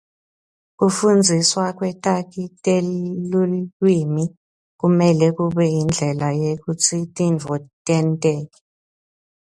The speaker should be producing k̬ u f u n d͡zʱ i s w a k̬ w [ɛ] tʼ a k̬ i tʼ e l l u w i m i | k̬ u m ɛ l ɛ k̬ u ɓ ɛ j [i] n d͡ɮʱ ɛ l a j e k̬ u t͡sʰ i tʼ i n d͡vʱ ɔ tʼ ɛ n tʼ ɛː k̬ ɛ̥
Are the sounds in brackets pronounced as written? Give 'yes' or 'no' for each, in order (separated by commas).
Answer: yes, yes